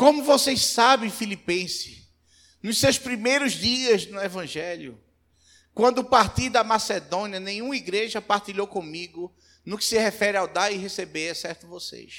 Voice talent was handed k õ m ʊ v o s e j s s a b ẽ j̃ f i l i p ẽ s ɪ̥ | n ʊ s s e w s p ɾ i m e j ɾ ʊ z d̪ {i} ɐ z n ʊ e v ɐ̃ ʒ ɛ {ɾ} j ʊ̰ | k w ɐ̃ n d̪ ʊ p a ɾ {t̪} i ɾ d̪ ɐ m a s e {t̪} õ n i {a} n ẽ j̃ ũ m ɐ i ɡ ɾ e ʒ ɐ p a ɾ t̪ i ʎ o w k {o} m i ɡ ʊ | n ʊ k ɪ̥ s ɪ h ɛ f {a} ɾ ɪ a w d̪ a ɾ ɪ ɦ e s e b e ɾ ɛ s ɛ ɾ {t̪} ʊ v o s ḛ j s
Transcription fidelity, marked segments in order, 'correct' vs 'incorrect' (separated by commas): correct, incorrect, correct, incorrect, incorrect, incorrect, incorrect, correct